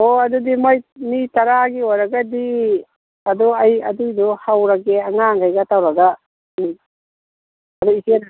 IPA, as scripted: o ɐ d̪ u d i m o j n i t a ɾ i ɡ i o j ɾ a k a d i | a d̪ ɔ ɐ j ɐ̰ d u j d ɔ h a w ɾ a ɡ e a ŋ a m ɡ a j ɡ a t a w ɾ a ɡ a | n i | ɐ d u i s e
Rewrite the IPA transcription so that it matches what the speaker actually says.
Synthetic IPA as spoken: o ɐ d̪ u d i m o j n i t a ɾ a ɡ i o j ɾ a ɡ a d i | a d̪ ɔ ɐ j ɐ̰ d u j d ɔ h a w ɾ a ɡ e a ŋ a ŋ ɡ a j ɡ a t a w ɾ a ɡ a | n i | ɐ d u i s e